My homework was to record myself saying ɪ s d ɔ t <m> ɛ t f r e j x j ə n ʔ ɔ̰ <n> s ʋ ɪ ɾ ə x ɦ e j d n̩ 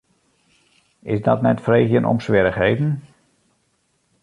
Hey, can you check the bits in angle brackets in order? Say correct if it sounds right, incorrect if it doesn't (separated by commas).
incorrect, incorrect